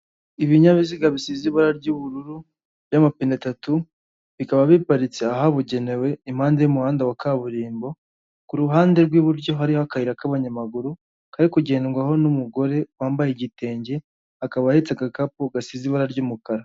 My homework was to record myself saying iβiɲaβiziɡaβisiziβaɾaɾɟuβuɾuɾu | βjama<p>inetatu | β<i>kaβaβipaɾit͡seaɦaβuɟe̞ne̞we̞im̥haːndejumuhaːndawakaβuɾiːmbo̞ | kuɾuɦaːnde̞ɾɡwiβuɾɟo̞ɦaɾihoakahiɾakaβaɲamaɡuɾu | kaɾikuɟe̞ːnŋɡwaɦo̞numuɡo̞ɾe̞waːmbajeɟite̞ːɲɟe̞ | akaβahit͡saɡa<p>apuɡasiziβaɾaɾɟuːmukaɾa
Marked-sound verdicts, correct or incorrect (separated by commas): correct, correct, incorrect